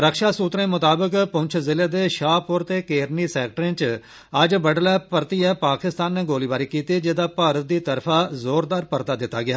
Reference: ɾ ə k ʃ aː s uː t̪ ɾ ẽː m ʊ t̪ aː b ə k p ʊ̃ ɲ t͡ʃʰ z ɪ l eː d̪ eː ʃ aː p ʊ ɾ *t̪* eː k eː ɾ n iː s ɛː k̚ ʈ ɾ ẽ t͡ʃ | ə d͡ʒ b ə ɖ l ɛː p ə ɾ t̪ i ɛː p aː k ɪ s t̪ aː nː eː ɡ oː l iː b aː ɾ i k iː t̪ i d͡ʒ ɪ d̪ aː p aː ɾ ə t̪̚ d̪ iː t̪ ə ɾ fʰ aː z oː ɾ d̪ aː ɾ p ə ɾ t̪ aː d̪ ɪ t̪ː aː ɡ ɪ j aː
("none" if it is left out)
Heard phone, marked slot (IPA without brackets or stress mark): t̪